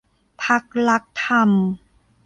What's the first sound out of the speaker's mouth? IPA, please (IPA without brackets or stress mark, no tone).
pʰ